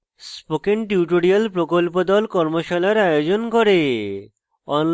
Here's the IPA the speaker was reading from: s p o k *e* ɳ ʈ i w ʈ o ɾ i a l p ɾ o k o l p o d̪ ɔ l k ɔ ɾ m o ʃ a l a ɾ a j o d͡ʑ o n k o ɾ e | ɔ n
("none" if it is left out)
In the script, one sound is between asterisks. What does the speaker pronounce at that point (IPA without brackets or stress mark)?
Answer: e